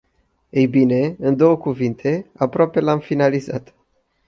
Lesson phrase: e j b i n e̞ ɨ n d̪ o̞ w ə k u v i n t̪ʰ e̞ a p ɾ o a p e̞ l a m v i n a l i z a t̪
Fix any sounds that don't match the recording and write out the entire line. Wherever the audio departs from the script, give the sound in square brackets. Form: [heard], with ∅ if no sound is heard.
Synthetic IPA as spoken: e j b i n e̞ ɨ n d̪ o̞ w ə k u v i n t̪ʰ e̞ a p ɾ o a p e̞ l a m [f] i n a l i z a t̪